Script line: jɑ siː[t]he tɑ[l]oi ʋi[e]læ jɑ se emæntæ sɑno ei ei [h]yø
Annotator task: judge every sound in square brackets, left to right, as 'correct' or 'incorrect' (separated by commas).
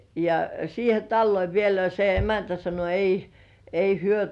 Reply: incorrect, incorrect, correct, correct